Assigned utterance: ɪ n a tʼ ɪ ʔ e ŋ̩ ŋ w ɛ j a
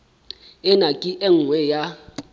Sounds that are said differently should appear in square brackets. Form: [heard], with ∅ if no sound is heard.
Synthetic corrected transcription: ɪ n a [kʼ] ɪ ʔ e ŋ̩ ŋ w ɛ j a